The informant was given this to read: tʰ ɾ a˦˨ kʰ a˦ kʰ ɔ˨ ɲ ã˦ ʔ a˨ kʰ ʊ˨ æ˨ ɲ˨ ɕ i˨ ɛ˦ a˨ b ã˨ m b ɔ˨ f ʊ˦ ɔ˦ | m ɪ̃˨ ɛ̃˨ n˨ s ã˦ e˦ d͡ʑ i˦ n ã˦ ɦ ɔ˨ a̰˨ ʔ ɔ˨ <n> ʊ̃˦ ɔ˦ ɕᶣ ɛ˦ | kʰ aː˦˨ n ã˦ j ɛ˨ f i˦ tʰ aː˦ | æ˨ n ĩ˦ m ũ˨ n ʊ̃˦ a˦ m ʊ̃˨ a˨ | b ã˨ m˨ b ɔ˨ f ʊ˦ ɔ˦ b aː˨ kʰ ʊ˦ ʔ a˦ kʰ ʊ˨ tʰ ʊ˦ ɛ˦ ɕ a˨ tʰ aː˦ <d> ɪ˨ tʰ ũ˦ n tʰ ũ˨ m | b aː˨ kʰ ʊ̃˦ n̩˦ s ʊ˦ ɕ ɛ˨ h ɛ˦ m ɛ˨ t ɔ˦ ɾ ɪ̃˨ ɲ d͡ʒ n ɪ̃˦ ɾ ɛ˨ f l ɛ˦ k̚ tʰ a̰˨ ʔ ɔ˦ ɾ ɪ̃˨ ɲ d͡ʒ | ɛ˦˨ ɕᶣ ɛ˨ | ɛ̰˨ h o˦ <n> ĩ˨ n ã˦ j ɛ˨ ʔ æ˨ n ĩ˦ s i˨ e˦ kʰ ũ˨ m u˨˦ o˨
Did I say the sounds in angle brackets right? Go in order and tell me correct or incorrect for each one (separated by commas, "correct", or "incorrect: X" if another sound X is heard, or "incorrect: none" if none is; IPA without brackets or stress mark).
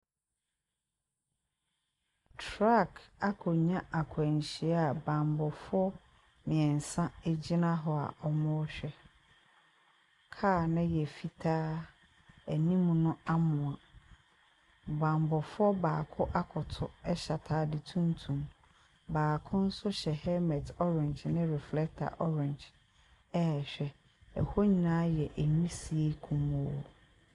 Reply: incorrect: m, correct, incorrect: ɲ